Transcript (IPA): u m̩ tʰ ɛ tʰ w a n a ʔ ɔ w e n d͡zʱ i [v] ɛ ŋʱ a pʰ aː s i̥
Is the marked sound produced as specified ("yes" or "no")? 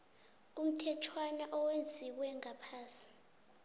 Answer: no